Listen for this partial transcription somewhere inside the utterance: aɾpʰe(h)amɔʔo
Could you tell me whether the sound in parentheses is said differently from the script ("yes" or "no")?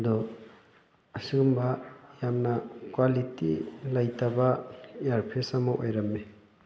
yes